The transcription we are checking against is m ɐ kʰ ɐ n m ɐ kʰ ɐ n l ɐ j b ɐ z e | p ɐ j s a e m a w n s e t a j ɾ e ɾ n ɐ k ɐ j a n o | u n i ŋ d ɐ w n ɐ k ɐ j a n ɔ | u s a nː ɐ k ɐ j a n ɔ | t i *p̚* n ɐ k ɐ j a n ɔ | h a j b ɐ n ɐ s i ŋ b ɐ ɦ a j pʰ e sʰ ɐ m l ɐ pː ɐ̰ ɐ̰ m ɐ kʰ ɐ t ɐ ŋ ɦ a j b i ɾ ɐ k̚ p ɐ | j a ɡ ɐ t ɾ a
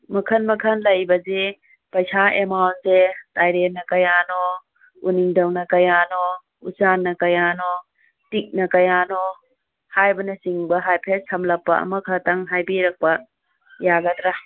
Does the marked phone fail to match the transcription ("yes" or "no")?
yes